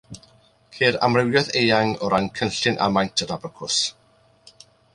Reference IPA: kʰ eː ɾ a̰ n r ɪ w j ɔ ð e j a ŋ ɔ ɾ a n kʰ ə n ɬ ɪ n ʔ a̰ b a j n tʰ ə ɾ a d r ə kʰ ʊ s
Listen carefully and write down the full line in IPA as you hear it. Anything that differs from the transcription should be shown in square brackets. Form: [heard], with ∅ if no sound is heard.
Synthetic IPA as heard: kʰ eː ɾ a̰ [m] r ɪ w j ɔ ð e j a ŋ ɔ ɾ a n kʰ ə n ɬ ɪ n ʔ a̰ [m] a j n tʰ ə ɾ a [b] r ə kʰ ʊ s